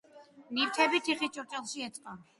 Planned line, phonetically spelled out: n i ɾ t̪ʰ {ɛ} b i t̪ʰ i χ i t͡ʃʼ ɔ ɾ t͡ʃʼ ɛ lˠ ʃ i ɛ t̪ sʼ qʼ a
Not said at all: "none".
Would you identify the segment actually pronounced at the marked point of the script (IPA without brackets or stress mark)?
ɛ